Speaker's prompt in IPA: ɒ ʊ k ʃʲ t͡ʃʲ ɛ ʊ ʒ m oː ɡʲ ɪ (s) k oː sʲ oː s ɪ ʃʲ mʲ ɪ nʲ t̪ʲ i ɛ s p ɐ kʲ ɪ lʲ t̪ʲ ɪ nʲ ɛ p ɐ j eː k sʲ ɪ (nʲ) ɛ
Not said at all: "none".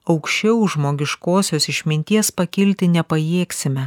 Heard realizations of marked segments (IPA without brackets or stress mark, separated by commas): ʃ, mʲ